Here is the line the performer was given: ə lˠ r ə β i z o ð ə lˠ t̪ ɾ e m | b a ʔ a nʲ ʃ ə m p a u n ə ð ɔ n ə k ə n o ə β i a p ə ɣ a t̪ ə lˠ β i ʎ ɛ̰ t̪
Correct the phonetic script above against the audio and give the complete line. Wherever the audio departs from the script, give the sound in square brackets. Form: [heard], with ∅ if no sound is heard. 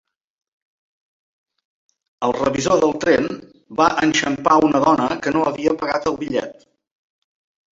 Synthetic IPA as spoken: ə lˠ r ə β i z o ð ə lˠ t̪ ɾ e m | b a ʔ [ə] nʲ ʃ ə m p a u n ə ð ɔ n ə k ə n o ə β i [ə] p ə ɣ a t̪ ə lˠ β i ʎ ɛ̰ t̪